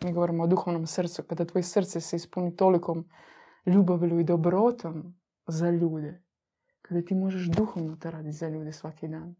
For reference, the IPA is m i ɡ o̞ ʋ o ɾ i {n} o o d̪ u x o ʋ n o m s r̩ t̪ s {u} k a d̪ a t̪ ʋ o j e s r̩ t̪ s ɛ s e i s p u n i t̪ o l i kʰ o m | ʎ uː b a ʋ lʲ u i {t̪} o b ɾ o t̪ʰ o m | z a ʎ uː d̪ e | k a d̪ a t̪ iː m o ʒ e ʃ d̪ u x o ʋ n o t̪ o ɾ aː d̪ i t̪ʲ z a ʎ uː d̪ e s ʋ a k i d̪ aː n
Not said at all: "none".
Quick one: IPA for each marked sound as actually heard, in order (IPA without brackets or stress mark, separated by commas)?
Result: m, u, d̪